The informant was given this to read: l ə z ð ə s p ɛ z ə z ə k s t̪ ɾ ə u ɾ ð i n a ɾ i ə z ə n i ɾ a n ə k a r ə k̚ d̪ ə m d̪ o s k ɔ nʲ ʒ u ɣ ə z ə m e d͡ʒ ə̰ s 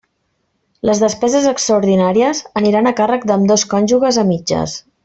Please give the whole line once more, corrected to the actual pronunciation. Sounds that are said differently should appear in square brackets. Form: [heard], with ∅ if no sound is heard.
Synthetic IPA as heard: l ə z ð ə s p ɛ z ə z ə k s t̪ ɾ ə u ɾ ð i n a ɾ i ə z ə n i ɾ a n ə k a r ə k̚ d̪ ə m d̪ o s k ɔ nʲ ʒ u ɣ ə z ə m [i] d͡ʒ ə̰ s

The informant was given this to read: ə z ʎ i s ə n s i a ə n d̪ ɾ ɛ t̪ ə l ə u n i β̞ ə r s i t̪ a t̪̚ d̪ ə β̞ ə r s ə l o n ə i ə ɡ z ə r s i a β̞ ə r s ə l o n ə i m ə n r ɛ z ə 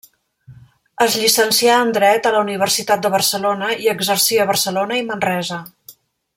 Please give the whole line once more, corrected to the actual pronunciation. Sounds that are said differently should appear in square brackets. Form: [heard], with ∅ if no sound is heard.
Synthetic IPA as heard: ə z ʎ i s ə n s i a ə n d̪ ɾ ɛ t̪ ə l ə u n i β̞ ə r s i t̪ a t̪̚ d̪ ə β̞ ə r s ə l o n ə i ə ɡ z ə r s i [ə] β̞ ə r s ə l o n ə i m ə n r ɛ z ə

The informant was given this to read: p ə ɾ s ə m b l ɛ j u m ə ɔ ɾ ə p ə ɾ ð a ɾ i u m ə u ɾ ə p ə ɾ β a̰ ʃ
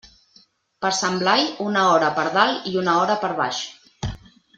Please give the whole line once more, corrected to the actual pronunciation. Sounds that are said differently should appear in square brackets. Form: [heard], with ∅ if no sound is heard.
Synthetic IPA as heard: p ə ɾ s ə m b l [a] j u [n] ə ɔ ɾ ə p ə ɾ ð a [l] i u [n] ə [ɔ] ɾ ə p ə ɾ β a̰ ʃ

